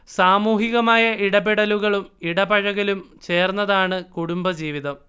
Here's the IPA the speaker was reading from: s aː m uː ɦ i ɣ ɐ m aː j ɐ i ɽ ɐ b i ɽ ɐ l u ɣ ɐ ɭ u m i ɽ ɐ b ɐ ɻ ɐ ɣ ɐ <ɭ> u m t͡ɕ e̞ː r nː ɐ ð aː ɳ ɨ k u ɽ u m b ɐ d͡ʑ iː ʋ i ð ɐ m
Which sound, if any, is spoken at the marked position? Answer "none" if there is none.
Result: l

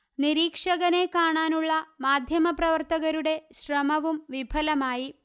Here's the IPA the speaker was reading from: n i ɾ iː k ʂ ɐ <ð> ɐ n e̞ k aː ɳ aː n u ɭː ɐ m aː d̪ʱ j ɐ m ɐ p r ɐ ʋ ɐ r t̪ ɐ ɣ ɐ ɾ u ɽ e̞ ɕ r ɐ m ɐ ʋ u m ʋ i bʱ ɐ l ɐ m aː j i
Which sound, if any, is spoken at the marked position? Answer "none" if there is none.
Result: ɣ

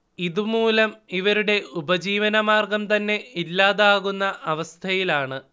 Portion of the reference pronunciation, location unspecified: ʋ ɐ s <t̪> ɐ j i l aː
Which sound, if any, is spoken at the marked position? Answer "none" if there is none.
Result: t̪ʰ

